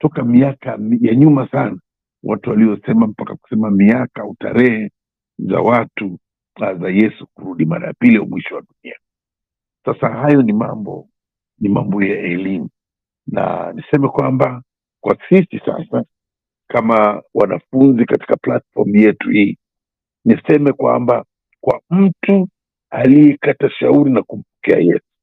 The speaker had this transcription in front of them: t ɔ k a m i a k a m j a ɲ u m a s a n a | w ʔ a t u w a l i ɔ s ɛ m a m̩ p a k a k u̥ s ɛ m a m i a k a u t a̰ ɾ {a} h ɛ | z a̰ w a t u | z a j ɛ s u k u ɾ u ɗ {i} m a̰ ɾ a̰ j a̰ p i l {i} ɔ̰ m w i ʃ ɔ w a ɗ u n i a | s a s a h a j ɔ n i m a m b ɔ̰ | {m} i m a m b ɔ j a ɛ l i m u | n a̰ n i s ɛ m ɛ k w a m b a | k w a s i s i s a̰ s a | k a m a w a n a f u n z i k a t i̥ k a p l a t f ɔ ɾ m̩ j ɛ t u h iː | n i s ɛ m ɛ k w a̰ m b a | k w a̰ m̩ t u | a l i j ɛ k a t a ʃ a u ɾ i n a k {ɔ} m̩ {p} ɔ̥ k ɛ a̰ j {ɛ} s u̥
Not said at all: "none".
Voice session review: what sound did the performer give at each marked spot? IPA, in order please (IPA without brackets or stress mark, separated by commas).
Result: ɛ, i, i, n, u, p, ɛ